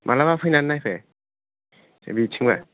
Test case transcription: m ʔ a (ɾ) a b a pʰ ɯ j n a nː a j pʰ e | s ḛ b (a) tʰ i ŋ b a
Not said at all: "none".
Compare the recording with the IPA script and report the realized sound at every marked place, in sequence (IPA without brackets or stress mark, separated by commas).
l, i